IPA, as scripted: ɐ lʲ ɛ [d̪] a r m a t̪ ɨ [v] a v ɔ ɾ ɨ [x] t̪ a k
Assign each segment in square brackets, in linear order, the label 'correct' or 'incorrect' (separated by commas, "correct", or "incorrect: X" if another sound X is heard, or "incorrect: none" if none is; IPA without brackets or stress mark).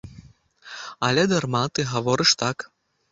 correct, incorrect: ɣ, incorrect: ʂ